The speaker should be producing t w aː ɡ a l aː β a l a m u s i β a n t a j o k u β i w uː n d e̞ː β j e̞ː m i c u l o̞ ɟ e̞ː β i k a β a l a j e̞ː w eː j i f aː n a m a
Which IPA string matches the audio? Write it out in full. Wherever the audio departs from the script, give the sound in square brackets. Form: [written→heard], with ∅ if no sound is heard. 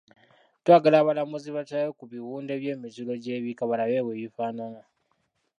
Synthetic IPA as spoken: t w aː ɡ a l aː β a l a m u [s→z] i β a [n→∅] t a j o k u β i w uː n d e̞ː β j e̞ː m i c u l o̞ ɟ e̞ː β i k a β a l a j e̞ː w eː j i f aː n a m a